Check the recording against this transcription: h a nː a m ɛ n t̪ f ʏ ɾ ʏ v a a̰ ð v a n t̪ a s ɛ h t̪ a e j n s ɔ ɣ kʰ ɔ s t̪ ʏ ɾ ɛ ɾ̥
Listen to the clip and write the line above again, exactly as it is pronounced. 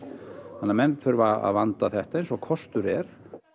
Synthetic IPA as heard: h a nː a m ɛ n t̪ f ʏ ɾ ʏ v a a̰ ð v a n t̪ a θ ɛ h t̪ a e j n s ɔ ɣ kʰ ɔ s t̪ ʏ ɾ ɛ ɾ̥